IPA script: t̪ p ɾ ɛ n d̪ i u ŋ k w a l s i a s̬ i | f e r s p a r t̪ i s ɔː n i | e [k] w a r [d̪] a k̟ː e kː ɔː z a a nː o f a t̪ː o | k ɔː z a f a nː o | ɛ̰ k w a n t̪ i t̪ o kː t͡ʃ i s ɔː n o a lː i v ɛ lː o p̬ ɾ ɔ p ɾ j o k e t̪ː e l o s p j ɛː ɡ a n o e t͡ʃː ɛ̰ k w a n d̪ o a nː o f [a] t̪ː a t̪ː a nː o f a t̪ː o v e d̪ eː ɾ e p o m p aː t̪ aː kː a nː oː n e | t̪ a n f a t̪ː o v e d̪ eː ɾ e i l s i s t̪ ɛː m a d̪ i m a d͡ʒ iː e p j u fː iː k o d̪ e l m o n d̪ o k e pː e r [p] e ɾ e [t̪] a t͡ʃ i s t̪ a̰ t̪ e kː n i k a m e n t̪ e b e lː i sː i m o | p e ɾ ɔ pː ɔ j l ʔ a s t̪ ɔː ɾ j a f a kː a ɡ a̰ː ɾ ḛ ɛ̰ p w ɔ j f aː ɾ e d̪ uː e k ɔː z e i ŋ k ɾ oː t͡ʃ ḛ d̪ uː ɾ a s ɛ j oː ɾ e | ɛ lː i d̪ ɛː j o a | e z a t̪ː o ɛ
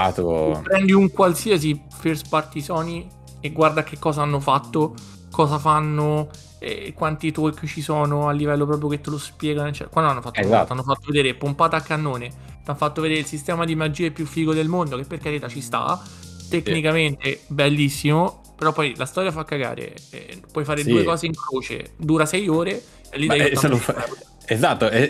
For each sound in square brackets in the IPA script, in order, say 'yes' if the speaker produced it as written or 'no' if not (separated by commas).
no, yes, yes, no, yes